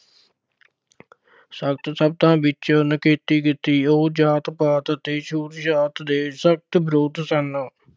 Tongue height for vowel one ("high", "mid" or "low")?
mid